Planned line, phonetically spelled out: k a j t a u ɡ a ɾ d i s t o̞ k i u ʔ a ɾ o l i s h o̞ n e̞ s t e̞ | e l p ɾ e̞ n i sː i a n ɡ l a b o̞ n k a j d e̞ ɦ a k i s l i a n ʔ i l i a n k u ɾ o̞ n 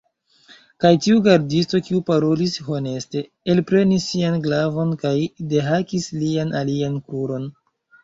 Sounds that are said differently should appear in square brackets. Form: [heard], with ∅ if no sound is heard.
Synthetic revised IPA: k a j t [i] u ɡ a ɾ d i s t o̞ k i u [p] a ɾ o l i s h o̞ n e̞ s t e̞ | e l p ɾ e̞ n i sː i a n ɡ l a [v] o̞ n k a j d e̞ ɦ a k i s l i a n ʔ [a] l i a n k u ɾ o̞ n